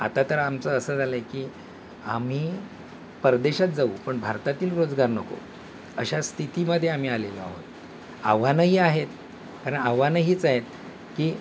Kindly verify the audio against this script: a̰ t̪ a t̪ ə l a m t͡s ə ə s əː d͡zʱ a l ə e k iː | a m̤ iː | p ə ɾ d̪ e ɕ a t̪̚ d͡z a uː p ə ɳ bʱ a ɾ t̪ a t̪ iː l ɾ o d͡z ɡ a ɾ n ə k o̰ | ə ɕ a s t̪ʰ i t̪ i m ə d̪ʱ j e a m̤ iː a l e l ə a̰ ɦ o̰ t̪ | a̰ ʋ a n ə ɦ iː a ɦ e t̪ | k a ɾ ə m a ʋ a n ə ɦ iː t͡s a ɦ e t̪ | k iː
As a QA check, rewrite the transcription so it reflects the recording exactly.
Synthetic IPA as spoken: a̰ t̪ a t̪ ə ɾ a m t͡s ə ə s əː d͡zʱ a l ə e k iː | a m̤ iː | p ə ɾ d̪ e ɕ a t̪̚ d͡z a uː p ə ɳ bʱ a ɾ t̪ a t̪ iː l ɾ o d͡z ɡ a ɾ n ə k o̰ | ə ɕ a s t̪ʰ i t̪ i m ə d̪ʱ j e a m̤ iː a l e l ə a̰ ɦ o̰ t̪ | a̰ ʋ a n ə ɦ iː a ɦ e t̪ | k a ɾ ə ɳ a ʋ a n ə ɦ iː t͡s a ɦ e t̪ | k iː